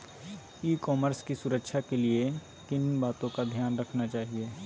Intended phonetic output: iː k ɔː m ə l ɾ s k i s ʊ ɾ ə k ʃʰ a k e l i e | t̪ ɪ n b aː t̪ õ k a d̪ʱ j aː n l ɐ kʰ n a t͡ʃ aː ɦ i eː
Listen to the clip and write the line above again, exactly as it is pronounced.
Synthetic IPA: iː k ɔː m ə ɾ s k i s ʊ ɾ ə k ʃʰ a k e l i e | t̪ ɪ n b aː t̪ õ k a d̪ʱ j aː n ɾ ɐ kʰ n a t͡ʃ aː ɦ i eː